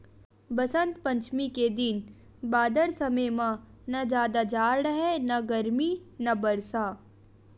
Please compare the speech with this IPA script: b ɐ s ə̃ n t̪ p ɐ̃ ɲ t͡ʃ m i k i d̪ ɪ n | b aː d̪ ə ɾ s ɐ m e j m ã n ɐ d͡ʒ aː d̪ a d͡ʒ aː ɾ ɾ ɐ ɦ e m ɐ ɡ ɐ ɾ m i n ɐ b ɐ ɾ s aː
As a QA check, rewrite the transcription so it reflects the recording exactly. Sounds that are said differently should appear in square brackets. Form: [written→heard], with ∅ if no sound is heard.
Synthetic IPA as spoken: b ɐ s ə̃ n t̪ p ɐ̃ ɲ t͡ʃ m i k [i→e] d̪ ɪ n | b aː d̪ ə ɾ s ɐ m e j m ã n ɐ d͡ʒ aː d̪ a d͡ʒ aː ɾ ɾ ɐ ɦ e [m→n] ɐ ɡ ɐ ɾ m i n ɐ b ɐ ɾ s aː